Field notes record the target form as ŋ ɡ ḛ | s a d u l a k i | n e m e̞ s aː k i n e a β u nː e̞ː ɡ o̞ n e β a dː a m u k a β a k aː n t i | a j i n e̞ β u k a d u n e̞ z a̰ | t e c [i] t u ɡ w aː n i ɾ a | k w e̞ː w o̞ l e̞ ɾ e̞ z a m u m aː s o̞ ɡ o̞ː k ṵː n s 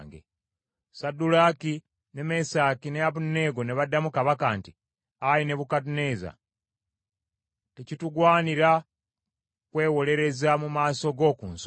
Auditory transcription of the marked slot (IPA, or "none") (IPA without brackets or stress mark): i